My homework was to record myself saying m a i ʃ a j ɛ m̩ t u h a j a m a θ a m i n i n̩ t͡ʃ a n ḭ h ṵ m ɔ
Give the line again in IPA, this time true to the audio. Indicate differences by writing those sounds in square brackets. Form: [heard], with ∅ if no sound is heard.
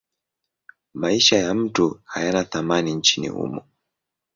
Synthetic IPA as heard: m a i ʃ a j [a] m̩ t u h a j a [n] a θ a m [a] n i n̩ t͡ʃ [i] n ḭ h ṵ m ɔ

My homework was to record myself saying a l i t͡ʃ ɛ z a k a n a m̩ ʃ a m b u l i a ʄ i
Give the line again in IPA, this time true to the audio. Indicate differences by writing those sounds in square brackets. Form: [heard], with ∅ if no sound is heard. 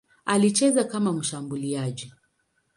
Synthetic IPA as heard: a l i t͡ʃ ɛ z a k a [m] a m̩ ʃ a m b u l i a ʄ i

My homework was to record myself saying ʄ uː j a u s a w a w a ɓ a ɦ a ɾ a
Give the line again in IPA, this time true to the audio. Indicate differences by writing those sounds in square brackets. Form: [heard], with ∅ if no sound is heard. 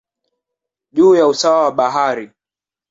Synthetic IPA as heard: ʄ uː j a u s a w a w a ɓ a ɦ a ɾ [i]

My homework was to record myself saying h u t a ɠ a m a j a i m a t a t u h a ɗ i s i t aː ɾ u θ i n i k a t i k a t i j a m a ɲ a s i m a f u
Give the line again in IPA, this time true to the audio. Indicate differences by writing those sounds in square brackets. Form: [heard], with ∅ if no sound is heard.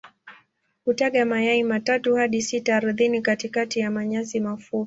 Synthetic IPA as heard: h u t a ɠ a m a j a i m a t a t u h a ɗ i s i t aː ɾ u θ i n i k a t i k a t i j a m a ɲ a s i m a f u

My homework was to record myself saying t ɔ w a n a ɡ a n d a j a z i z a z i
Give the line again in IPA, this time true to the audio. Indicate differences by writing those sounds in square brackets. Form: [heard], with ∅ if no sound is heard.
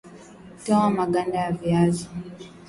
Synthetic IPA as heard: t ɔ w a [m] a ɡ a n d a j a [v] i [∅] a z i

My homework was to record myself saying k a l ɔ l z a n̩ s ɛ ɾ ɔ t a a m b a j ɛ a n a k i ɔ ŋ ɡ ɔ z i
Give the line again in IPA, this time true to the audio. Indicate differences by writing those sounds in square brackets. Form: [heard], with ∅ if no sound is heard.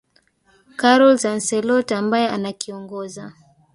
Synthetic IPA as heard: k a [ɾ] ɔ l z a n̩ s ɛ [l] ɔ t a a m b a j ɛ a n a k i ɔ ŋ ɡ ɔ z [a]

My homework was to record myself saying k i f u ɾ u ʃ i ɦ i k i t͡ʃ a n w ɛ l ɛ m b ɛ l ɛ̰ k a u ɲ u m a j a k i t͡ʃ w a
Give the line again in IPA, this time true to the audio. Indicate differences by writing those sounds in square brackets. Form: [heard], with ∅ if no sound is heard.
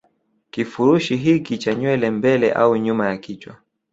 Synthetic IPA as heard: k i f u ɾ u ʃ i ɦ i k i t͡ʃ a [ɲ] w ɛ l ɛ m b ɛ l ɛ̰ [ʔ] a u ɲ u m a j a k i t͡ʃ w a

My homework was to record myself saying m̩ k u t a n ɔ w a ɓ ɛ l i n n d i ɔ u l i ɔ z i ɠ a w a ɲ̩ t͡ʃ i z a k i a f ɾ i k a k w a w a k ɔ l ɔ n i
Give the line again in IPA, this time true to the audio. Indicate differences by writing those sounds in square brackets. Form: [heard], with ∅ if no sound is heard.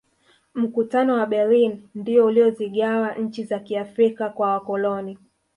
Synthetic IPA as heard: m̩ k u t a n ɔ w a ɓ ɛ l i n n d i ɔ u l i ɔ z i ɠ a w a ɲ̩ t͡ʃ i z a k i a f ɾ i k a k w a w a k ɔ l ɔ n i

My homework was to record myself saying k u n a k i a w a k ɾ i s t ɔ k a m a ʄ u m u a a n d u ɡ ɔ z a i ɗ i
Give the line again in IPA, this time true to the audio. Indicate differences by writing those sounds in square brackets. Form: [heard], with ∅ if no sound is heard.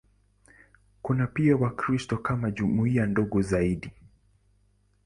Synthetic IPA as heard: k u n a [p] i a w a k ɾ i s t ɔ k a m a ʄ u m u [i] a n d [ɔ] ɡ ɔ z a i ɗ i

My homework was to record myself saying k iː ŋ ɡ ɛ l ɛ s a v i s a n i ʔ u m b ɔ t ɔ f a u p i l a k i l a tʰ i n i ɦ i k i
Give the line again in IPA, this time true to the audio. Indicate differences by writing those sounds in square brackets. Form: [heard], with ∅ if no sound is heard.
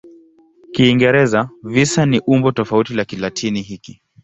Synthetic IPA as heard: k iː ŋ ɡ ɛ [ɾ] ɛ [z] a v i s a n i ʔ u m b ɔ t ɔ f a u [t] i l a k i l a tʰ i n i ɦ i k i

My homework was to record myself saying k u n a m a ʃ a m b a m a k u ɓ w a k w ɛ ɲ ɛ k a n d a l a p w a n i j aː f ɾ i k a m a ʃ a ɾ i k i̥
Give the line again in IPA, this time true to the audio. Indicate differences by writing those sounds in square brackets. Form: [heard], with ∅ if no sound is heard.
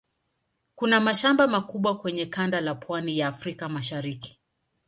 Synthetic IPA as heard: k u n a m a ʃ a m b a m a k u ɓ w a k w ɛ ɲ ɛ k a n d a l a p w a n i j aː f ɾ i k a m a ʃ a ɾ i k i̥

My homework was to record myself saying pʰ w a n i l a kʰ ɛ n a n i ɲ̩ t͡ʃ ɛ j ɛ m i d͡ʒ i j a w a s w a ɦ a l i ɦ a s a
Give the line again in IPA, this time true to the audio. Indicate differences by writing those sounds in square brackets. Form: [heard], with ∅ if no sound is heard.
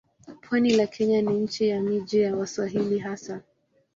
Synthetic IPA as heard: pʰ w a n i l a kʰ ɛ [ɲ] a n i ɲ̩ t͡ʃ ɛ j [a] m i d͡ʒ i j a w a s w a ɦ [i] l i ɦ a s a

